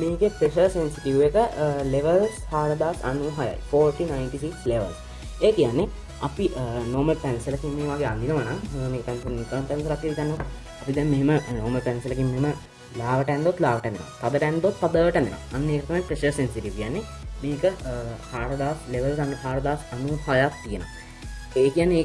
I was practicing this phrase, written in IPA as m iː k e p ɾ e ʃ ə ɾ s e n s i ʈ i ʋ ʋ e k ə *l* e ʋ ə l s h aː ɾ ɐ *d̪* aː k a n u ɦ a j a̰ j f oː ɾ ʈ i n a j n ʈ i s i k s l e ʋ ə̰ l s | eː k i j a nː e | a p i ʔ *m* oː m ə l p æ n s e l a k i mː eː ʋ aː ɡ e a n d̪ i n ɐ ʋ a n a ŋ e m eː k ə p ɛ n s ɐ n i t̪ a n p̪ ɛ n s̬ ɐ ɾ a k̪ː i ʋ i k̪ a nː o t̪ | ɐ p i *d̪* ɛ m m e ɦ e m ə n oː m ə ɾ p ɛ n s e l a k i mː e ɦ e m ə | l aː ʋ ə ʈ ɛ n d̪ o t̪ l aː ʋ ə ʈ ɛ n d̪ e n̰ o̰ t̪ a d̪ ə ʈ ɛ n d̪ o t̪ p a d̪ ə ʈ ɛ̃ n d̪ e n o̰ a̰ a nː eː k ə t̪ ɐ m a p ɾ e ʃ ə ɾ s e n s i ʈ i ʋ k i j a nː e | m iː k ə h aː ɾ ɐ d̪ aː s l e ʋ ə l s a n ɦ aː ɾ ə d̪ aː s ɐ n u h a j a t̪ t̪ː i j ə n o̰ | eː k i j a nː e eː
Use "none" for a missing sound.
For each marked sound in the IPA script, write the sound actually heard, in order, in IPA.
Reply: l, d̪, n, d̪

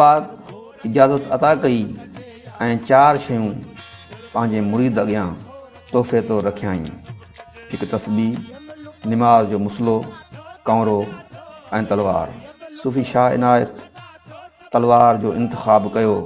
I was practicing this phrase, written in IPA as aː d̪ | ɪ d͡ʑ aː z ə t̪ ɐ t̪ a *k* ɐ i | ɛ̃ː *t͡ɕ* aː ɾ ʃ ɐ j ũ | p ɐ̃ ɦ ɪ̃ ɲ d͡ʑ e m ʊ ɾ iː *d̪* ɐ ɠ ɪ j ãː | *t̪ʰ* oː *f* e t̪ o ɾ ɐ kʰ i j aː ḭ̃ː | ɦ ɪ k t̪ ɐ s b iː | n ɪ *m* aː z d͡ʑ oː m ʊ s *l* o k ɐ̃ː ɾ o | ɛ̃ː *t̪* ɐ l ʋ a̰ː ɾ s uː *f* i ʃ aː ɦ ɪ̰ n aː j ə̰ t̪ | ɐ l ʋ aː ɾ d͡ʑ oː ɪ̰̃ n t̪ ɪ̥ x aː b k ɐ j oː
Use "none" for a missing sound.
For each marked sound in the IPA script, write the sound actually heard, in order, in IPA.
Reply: k, t͡ɕ, d̪, t̪, f, m, l, t̪, f

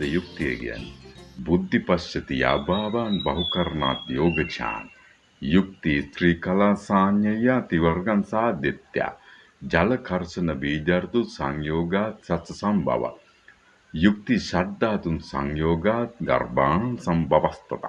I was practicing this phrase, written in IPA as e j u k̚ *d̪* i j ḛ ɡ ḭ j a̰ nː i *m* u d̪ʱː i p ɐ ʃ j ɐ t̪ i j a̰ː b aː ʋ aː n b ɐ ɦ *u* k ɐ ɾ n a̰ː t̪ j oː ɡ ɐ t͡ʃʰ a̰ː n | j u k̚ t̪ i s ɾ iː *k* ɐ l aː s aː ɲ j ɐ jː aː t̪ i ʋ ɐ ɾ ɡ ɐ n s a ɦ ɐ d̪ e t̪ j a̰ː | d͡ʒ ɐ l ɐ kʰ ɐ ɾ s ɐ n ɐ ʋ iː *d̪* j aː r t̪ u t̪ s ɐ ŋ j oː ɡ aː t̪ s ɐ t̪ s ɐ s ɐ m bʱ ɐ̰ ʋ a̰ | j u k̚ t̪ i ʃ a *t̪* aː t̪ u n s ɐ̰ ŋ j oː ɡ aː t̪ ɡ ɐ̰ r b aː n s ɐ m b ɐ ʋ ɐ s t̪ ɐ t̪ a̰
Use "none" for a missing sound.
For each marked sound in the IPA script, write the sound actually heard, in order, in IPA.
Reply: t̪, b, u, k, d̪, d̪

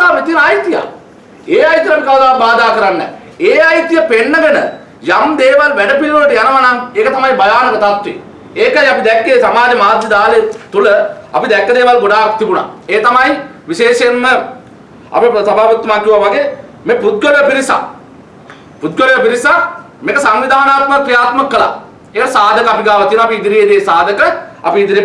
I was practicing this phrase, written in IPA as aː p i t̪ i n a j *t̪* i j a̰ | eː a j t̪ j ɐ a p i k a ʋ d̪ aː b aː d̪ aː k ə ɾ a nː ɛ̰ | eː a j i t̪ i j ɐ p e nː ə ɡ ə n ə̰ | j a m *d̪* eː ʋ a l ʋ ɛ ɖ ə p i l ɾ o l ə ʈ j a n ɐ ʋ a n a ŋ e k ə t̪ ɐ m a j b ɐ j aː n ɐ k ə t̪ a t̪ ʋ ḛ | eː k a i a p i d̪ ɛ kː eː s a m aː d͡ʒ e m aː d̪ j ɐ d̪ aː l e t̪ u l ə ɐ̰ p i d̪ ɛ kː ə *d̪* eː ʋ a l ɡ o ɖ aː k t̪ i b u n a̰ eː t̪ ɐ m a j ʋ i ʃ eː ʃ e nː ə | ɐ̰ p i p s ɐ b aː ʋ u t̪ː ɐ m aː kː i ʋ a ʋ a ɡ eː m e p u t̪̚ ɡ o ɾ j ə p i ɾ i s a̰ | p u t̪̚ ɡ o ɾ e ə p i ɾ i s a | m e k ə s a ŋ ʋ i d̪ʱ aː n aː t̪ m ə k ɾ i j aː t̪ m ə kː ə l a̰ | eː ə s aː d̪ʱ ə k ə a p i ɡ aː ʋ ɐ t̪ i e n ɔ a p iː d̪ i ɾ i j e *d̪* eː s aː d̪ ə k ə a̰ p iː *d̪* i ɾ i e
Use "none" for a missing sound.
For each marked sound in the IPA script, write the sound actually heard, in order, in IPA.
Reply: t̪, d̪, d̪, d̪, d̪

